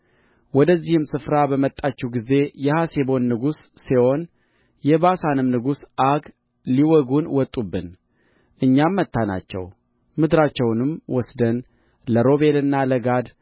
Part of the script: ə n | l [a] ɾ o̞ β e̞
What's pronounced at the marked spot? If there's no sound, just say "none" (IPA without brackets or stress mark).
ə